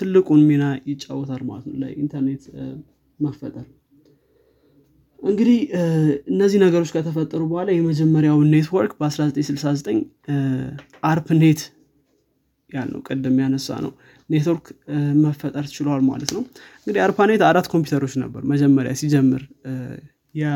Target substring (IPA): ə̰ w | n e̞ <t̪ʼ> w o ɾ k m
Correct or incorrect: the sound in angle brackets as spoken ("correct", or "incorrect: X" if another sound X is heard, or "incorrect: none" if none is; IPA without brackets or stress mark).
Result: incorrect: t̪